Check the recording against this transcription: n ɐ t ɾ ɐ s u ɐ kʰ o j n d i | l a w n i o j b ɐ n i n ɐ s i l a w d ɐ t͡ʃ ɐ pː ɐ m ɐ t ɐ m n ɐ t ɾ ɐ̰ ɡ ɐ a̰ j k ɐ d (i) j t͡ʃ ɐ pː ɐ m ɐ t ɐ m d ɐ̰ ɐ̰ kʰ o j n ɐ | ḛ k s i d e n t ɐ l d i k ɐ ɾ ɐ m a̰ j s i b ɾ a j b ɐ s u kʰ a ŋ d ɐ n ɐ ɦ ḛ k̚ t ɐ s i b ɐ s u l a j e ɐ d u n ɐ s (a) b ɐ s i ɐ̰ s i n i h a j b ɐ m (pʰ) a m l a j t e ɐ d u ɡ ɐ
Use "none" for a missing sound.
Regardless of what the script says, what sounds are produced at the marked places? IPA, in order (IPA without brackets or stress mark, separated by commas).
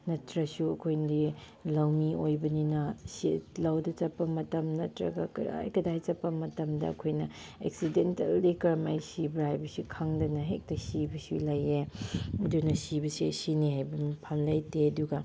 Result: a, i, pʰ